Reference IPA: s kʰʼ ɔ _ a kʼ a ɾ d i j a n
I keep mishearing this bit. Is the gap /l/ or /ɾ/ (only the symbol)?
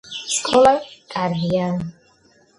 l